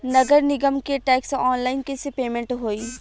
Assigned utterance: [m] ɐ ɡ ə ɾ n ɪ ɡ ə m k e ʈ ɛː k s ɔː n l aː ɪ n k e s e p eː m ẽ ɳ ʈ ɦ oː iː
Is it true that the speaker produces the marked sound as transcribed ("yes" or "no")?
no